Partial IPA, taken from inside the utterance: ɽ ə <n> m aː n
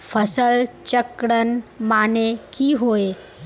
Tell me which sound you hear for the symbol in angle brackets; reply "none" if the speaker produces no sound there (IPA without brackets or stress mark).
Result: n